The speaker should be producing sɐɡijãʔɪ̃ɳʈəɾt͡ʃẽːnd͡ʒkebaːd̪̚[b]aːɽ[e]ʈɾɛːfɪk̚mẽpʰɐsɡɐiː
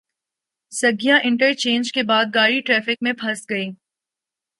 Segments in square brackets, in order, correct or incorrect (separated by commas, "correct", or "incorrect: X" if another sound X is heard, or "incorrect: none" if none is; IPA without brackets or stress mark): incorrect: ɡ, incorrect: i